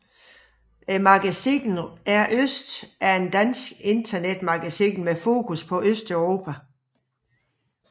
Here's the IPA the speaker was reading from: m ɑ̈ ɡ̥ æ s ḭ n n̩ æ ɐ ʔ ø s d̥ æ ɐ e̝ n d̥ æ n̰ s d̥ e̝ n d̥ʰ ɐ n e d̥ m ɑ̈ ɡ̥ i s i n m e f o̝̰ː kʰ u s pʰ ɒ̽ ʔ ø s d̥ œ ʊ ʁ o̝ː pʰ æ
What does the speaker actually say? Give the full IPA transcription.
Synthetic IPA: m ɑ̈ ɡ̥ æ s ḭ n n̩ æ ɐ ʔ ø s d̥ æ ɐ e̝ n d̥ æ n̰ s ɡ̥ e̝ n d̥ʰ ɐ n e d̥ m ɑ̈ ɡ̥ æ s i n m e f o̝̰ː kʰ u s pʰ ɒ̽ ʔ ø s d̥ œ ʊ ʁ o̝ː pʰ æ